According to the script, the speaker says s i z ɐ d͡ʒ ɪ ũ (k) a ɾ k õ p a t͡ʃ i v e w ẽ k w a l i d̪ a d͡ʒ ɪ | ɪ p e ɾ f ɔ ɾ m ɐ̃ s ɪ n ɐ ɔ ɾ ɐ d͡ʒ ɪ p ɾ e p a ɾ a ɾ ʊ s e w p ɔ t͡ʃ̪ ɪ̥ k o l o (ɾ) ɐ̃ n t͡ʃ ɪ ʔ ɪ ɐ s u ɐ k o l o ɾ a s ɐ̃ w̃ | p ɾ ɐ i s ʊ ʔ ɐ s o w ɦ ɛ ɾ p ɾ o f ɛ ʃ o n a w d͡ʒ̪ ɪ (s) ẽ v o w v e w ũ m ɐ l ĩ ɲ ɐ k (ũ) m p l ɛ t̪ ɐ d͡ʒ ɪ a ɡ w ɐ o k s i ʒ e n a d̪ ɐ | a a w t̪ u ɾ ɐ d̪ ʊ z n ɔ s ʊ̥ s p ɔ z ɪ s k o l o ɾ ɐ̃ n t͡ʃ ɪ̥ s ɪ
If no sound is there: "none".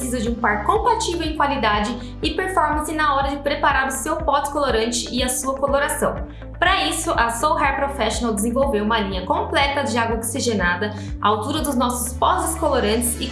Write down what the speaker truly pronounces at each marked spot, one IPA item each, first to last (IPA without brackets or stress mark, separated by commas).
p, ɾ, z, õ